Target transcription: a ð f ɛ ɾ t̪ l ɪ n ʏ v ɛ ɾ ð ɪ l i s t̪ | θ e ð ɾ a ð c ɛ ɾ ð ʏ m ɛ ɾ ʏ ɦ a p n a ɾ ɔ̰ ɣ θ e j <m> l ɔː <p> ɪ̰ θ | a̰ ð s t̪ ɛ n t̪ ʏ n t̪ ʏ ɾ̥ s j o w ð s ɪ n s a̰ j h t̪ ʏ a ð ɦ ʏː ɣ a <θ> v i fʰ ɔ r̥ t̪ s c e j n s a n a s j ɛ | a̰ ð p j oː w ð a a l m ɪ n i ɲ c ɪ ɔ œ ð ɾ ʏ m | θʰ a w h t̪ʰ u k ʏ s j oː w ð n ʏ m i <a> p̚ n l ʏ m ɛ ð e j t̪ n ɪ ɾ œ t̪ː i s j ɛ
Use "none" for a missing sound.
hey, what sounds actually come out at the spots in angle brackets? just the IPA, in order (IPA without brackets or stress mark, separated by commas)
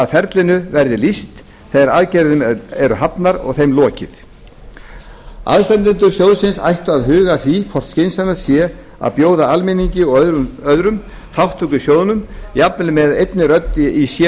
m, c, θ, a